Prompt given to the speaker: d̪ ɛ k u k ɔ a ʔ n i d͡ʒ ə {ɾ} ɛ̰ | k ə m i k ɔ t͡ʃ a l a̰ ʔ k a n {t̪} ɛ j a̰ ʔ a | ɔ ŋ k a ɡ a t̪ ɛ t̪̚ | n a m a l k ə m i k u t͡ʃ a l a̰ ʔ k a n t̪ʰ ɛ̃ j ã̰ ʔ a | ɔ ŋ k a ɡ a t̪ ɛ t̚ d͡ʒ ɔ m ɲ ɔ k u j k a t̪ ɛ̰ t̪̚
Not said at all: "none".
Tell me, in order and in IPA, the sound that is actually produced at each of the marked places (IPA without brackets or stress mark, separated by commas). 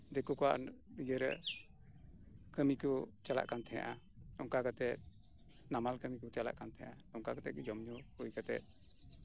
ɾ, t̪ʰ